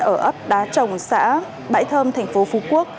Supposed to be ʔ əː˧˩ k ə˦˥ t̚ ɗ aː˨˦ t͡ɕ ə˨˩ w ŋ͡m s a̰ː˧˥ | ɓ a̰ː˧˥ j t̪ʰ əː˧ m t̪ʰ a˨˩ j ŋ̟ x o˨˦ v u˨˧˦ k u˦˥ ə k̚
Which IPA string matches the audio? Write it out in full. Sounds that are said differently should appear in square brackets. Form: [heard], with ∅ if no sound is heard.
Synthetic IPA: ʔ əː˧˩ [ʔ] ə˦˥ [p̚] ɗ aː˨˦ t͡ɕ ə˨˩ w ŋ͡m s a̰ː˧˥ | ɓ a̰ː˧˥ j t̪ʰ əː˧ m t̪ʰ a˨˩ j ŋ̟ [f] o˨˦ [f] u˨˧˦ k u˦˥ ə k̚